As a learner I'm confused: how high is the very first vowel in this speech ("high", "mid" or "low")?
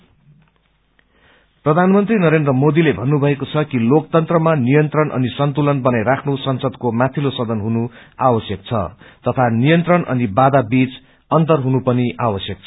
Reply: mid